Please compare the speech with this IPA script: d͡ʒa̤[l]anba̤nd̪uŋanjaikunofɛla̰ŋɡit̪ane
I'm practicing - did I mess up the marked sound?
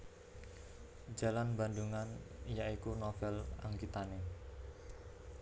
no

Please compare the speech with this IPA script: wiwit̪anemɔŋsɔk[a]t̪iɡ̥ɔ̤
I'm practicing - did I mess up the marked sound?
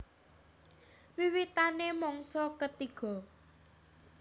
yes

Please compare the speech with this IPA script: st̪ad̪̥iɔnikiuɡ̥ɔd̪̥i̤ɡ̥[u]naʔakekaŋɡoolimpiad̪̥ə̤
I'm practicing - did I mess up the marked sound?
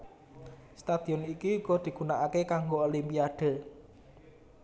no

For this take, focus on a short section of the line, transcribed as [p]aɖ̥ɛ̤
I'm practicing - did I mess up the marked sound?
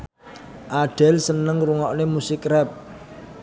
yes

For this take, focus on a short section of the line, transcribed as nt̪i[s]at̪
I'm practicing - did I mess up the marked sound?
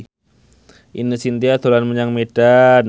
yes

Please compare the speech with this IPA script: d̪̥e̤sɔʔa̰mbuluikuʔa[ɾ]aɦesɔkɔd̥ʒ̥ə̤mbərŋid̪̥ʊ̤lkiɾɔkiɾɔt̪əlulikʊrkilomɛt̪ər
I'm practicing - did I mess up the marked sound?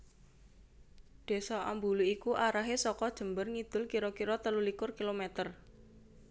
no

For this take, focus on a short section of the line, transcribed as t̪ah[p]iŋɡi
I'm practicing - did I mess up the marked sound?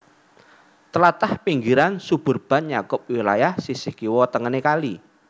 no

